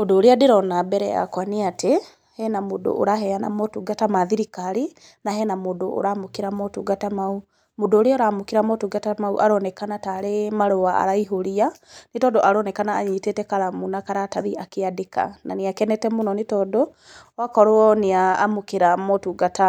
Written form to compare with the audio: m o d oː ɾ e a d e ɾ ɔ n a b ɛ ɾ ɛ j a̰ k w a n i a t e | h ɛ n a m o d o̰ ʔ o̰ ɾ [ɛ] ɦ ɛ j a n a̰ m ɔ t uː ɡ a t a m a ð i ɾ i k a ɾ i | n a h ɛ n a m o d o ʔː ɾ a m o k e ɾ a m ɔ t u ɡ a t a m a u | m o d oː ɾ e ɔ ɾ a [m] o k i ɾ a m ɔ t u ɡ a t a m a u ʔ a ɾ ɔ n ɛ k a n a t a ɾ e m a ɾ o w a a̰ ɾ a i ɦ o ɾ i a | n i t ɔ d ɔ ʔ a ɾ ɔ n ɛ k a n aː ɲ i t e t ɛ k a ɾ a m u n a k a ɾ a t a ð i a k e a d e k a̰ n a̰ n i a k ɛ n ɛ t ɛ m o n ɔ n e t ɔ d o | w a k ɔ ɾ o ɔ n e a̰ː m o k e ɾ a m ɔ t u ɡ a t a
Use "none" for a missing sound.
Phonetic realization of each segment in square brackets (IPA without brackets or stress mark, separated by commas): a, m